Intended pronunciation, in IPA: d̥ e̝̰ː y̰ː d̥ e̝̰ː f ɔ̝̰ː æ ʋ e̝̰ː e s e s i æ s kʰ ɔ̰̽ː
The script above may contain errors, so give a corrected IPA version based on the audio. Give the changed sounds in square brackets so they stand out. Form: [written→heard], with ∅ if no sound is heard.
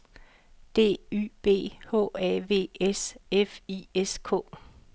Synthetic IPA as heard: d̥ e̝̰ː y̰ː [d̥→b̥] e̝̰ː [f→h] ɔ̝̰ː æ ʋ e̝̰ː e s e [s→f] i [æ→e] s kʰ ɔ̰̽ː